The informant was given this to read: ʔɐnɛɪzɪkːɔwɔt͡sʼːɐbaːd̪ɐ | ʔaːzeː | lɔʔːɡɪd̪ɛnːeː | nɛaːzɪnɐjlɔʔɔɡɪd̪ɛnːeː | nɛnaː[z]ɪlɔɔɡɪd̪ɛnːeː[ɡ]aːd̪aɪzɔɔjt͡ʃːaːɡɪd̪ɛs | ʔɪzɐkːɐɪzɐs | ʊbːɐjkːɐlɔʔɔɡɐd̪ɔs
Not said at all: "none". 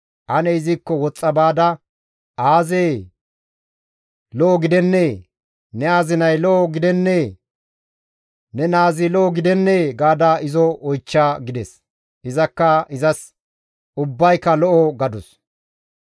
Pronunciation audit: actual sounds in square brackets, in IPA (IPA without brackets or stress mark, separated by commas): z, ɡ